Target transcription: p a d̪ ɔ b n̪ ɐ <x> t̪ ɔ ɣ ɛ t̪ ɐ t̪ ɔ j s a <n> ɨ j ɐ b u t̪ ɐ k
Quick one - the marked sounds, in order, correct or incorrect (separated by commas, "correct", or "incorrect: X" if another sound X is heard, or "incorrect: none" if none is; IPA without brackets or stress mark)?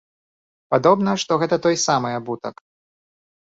incorrect: ʂ, incorrect: m